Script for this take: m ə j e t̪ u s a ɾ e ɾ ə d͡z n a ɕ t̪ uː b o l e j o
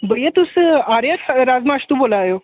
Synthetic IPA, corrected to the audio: b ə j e t̪ u s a ɾ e ɾ a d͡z m a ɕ t̪ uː b o l a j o